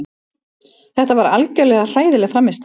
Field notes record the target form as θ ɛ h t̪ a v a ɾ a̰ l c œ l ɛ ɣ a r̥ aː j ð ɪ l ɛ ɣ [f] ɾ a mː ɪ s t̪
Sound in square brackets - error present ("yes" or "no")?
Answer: no